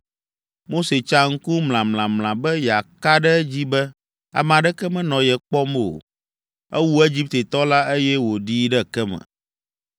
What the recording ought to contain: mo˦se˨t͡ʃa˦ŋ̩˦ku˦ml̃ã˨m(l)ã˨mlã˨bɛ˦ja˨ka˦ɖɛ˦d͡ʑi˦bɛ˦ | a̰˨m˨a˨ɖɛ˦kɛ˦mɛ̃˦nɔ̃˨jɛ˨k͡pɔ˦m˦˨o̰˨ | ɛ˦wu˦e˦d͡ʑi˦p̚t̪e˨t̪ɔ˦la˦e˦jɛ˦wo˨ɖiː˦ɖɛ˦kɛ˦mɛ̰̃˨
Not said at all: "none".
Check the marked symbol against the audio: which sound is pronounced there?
l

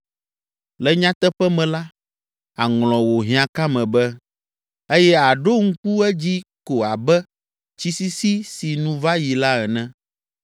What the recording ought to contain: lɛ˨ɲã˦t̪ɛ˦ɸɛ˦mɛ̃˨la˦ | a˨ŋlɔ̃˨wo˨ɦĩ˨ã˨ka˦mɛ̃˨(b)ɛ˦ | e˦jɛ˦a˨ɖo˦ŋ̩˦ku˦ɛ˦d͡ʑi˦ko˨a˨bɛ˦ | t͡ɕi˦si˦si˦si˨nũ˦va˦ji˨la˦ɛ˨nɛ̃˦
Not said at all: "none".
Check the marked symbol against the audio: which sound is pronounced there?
b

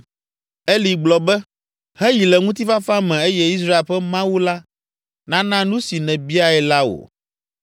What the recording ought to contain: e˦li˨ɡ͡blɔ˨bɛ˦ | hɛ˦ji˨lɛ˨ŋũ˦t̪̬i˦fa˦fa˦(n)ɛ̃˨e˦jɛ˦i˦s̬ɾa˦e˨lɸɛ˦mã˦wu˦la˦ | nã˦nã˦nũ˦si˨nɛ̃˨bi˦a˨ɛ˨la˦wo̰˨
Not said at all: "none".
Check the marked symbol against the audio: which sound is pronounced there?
m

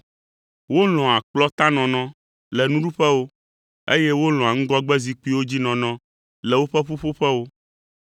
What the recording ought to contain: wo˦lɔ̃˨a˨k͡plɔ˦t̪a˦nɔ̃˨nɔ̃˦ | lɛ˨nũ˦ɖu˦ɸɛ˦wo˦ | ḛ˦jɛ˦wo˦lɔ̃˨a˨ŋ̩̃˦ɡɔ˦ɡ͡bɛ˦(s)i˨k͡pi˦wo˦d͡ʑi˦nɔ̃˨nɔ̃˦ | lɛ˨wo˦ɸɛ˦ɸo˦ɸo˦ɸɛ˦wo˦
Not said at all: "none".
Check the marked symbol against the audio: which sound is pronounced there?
z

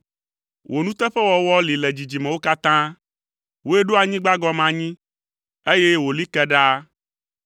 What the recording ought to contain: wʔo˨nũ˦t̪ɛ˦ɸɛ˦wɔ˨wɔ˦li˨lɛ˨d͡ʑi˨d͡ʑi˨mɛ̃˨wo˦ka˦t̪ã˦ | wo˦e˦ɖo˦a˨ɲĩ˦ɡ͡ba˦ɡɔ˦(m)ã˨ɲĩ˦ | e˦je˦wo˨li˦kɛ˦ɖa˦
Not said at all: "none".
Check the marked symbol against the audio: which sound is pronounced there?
m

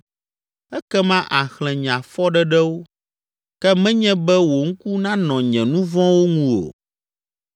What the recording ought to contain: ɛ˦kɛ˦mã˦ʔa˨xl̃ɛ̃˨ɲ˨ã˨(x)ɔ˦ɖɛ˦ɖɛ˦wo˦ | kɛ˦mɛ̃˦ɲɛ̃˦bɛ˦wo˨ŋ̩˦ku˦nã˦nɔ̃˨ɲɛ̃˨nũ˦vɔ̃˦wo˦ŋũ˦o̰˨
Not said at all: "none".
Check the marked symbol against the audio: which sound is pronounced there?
f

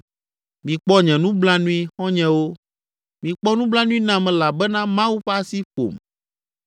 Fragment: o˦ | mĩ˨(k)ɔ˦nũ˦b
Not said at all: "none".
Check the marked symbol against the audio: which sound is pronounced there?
k͡p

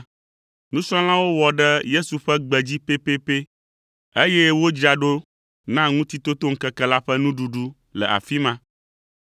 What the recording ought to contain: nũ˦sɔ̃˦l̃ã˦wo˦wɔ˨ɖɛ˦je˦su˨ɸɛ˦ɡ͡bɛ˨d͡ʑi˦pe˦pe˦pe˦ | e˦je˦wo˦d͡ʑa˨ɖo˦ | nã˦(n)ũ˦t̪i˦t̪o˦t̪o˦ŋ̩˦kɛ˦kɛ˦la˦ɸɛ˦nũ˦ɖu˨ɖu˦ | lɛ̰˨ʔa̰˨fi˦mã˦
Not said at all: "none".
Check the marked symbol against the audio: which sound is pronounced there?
ŋ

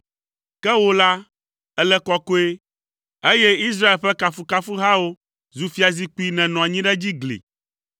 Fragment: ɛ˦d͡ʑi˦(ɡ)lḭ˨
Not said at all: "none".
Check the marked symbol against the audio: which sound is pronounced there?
ɡ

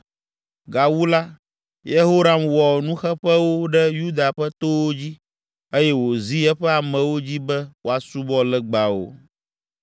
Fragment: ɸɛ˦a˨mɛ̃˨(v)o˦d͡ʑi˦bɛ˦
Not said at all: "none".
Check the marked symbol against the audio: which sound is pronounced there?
w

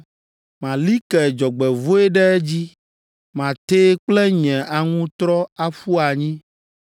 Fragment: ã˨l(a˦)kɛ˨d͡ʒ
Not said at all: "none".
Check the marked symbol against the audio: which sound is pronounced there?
i˦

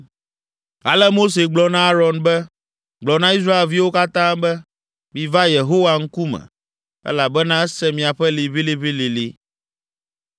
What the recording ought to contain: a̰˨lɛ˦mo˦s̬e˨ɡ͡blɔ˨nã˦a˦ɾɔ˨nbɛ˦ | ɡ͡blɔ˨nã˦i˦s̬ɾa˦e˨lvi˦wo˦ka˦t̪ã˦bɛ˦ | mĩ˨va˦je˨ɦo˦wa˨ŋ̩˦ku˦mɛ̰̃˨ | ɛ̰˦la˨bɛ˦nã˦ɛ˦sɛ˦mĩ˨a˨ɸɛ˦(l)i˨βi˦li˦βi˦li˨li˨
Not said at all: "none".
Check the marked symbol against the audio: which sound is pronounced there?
l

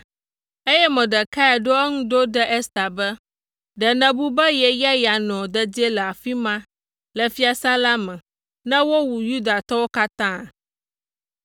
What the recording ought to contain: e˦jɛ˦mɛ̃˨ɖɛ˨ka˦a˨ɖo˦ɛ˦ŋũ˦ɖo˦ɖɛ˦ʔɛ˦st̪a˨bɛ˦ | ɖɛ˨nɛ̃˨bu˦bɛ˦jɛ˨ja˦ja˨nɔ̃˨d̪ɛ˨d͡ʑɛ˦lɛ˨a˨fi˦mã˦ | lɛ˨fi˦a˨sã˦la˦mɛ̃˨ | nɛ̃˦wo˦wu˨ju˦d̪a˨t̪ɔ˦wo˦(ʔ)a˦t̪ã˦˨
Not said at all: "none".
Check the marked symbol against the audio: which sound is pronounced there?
k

